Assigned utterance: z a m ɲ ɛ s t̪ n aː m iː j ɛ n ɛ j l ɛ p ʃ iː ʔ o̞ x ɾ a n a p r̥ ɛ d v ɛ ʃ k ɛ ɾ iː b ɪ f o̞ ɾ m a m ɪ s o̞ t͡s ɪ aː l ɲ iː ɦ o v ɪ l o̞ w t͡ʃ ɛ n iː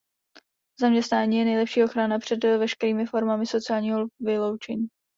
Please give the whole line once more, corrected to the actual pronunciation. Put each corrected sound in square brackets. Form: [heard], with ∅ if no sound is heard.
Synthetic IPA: z a m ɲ ɛ s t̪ n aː [ɲ] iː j ɛ n ɛ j l ɛ p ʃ iː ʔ o̞ x ɾ a n a p r̥ ɛ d v ɛ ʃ k ɛ ɾ iː [m] ɪ f o̞ ɾ m a m ɪ s o̞ t͡s ɪ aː l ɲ iː ɦ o v ɪ l o̞ w t͡ʃ ɛ [ɲ] iː